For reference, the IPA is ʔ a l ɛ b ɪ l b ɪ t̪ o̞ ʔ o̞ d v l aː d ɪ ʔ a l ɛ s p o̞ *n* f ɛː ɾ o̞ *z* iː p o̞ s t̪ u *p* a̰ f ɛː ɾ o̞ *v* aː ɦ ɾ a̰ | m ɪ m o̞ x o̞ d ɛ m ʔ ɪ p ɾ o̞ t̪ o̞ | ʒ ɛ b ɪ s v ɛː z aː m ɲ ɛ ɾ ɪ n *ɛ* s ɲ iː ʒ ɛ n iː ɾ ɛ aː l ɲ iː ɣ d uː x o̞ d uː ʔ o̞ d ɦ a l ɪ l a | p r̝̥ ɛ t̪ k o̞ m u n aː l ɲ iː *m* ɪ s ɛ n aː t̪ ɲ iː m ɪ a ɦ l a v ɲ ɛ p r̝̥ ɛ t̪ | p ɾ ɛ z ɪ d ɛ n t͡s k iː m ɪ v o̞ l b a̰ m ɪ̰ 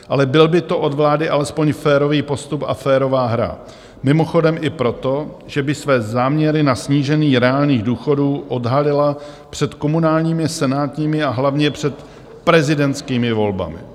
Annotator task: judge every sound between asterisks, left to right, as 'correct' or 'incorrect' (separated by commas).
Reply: incorrect, incorrect, correct, correct, incorrect, correct